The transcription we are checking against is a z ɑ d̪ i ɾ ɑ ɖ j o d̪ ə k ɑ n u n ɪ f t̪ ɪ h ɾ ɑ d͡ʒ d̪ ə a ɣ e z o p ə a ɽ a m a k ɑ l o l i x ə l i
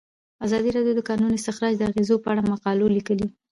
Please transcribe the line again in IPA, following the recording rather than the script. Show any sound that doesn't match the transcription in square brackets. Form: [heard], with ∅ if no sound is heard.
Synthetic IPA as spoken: a z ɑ d̪ i ɾ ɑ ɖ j o d̪ ə k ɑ n u n ɪ [s] t̪ ɪ [x] ɾ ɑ d͡ʒ d̪ ə a ɣ e z o p ə a ɽ a m a [q] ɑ l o l i [k] ə l i